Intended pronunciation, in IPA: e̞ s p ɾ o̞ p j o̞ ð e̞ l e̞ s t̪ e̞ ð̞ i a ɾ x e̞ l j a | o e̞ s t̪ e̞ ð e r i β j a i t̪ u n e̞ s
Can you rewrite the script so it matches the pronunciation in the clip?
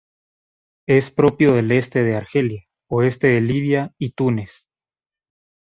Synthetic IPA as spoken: e̞ s p ɾ o̞ p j o̞ ð e̞ l e̞ s t̪ e̞ ð̞ e a ɾ x e̞ l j a | o e̞ s t̪ e̞ ð e l i β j a i t̪ u n e̞ s